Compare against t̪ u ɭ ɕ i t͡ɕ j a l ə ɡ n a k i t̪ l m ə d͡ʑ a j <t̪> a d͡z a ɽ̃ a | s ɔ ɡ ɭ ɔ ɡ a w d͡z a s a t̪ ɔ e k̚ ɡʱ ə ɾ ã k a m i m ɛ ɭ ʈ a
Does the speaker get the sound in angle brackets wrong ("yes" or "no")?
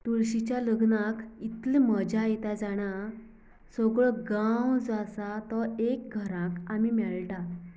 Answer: no